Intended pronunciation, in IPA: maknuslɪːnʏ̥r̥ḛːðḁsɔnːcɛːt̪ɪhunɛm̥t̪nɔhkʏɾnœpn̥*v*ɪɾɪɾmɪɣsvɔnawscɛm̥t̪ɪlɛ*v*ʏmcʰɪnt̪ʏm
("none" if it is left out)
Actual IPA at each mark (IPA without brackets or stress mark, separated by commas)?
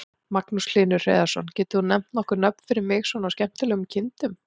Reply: f, ɣ